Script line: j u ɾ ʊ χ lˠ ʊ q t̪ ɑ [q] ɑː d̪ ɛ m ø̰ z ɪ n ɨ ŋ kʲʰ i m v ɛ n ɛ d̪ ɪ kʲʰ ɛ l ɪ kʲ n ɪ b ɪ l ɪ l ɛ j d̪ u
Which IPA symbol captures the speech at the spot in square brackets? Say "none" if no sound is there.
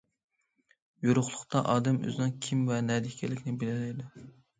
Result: ʔ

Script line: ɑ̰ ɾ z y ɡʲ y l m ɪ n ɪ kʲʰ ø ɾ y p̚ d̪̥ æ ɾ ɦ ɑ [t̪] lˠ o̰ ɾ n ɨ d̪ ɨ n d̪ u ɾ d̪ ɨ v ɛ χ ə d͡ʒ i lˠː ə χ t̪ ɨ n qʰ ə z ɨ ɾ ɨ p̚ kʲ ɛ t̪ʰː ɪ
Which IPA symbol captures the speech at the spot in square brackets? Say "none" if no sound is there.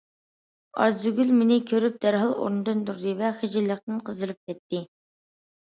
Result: none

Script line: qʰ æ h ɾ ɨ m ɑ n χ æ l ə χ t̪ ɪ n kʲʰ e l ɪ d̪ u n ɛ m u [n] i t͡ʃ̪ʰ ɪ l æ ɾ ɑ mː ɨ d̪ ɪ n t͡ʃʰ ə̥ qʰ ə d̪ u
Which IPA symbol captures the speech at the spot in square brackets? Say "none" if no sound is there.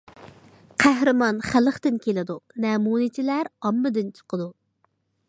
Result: n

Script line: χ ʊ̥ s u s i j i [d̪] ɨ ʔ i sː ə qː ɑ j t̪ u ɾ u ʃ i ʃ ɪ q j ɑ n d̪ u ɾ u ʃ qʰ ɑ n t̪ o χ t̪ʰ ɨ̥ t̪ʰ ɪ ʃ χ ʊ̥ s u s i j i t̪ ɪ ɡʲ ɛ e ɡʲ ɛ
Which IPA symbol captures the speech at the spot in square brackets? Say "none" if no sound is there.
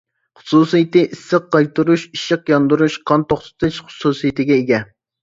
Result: t̪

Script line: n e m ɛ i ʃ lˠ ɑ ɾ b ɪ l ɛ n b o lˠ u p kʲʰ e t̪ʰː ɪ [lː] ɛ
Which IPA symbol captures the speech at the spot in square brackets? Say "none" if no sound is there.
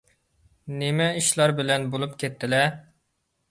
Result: l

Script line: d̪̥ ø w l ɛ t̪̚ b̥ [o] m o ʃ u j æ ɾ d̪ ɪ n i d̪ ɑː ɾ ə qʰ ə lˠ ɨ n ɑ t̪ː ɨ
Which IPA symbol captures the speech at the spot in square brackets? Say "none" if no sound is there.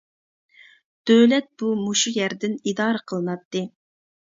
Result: u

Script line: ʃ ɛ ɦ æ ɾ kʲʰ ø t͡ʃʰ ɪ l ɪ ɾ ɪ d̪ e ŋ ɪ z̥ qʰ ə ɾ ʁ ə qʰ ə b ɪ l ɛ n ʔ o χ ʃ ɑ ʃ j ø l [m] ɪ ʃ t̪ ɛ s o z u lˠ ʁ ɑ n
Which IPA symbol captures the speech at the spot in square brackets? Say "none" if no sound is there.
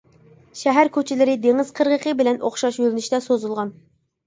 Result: n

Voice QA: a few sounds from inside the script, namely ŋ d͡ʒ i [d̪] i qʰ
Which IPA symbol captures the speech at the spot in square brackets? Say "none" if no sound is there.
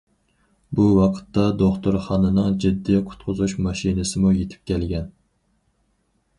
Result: d̪ː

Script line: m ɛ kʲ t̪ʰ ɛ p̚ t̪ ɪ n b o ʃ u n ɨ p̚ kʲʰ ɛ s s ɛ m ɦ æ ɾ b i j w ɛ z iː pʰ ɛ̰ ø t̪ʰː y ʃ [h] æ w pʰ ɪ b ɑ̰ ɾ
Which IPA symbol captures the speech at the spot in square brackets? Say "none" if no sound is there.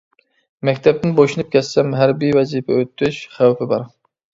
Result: χ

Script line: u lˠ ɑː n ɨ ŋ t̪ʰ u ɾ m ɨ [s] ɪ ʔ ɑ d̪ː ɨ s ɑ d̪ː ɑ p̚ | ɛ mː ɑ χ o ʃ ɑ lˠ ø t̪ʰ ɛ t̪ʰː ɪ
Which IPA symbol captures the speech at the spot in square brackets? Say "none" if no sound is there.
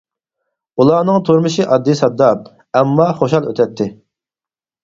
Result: ʃ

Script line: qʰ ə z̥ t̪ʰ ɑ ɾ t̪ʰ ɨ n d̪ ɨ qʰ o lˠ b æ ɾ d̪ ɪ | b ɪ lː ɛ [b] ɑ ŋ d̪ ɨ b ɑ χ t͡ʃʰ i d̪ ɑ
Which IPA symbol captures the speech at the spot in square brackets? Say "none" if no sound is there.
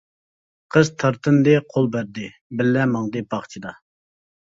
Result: m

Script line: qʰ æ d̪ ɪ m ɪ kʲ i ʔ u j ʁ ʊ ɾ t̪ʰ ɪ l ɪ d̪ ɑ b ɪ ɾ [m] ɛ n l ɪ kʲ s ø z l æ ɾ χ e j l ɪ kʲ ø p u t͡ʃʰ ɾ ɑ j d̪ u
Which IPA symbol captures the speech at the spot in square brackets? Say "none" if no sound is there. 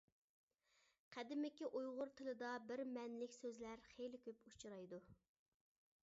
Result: m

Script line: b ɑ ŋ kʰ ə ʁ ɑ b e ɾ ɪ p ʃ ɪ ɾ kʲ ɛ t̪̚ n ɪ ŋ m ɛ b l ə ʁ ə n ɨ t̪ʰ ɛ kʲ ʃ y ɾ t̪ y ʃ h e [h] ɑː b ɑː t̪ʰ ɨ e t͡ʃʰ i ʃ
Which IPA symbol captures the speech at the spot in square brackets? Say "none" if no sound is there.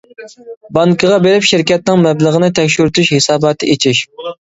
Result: s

